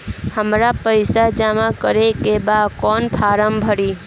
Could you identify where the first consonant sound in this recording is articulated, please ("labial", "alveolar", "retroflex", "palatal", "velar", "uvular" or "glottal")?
glottal